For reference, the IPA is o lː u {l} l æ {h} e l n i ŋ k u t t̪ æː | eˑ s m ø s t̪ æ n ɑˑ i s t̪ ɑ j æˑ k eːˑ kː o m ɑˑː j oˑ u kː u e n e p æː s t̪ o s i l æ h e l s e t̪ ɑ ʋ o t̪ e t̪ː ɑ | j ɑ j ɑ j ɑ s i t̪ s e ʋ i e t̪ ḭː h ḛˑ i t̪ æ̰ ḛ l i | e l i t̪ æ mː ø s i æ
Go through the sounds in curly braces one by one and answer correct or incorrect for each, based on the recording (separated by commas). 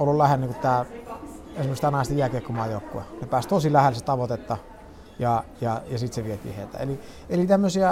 correct, correct